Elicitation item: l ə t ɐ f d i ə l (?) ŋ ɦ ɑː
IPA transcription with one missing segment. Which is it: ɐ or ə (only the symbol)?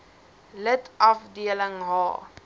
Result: ə